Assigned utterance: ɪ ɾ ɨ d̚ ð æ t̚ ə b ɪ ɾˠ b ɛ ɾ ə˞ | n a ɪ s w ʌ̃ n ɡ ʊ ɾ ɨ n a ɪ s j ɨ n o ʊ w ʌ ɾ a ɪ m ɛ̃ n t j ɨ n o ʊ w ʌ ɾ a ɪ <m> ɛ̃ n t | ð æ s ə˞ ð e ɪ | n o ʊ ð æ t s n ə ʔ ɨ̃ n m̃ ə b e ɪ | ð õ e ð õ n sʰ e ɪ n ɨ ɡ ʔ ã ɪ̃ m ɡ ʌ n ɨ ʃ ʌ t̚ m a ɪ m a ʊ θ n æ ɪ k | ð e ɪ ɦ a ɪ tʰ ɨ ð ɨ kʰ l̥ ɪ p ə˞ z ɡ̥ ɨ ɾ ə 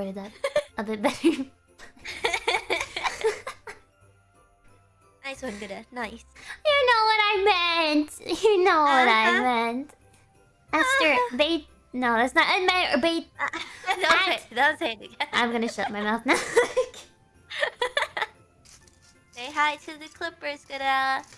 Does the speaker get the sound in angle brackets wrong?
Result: no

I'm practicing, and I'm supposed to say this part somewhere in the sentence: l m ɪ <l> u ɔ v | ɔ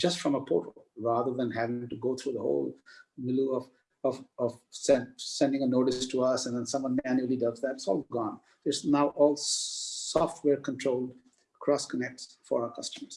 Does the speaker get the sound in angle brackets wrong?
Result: no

